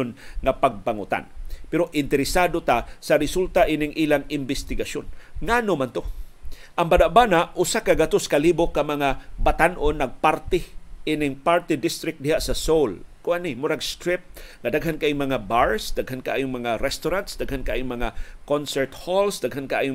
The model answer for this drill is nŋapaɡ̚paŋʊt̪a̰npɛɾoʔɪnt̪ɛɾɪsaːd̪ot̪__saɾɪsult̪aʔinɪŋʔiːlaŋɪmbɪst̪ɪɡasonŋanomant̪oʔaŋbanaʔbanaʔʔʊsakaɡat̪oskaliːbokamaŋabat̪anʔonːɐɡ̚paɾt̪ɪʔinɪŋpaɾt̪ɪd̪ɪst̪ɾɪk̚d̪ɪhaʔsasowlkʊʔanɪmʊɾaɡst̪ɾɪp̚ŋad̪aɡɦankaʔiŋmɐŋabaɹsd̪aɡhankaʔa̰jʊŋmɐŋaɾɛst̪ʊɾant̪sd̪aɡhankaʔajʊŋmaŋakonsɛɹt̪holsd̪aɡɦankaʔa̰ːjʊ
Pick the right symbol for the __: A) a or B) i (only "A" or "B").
A